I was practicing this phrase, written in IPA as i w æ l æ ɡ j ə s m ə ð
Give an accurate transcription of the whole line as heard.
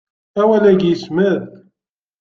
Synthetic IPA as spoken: æ w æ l æ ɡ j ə s m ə ð